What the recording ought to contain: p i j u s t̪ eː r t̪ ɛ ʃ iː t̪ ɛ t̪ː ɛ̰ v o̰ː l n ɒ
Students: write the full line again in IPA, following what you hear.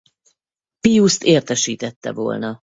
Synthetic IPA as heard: p i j u s t̪ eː r t̪ ɛ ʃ iː t̪ ɛ t̪ː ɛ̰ v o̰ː l n ɒ